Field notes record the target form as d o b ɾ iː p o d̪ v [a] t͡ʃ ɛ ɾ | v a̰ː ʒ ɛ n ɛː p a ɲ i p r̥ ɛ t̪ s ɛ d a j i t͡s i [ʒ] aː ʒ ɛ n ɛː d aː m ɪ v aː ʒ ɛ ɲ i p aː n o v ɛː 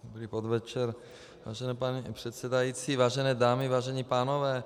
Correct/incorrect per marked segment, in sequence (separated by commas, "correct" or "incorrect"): incorrect, incorrect